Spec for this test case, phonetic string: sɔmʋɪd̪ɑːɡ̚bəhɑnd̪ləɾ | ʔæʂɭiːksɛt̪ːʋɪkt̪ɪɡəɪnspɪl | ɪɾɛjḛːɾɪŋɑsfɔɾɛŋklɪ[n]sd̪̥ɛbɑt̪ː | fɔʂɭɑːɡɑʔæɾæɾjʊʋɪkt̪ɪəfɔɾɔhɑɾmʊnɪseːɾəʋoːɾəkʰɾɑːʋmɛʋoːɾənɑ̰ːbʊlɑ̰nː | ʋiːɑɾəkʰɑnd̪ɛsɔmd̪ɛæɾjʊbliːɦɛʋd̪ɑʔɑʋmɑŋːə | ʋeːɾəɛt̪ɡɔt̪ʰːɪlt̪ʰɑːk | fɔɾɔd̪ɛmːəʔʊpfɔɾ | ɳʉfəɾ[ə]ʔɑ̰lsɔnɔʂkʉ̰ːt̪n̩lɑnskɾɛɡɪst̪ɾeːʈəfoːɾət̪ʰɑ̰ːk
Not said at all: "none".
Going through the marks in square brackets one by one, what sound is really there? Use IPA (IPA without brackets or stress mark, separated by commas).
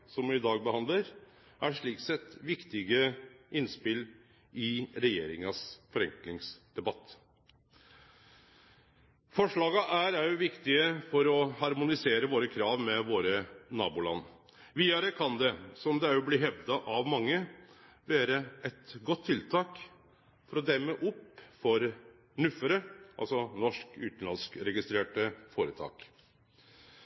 ŋ, ə